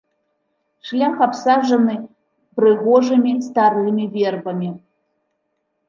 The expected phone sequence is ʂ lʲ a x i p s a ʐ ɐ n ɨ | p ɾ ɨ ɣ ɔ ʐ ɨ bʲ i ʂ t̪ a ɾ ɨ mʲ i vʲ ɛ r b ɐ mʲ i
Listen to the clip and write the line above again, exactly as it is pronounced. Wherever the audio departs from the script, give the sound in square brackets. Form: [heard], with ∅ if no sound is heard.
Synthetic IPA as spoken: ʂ lʲ a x [a] p s a ʐ ɐ n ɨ | p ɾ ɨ ɣ ɔ ʐ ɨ [mʲ] i [s] t̪ a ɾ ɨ mʲ i vʲ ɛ r b ɐ mʲ i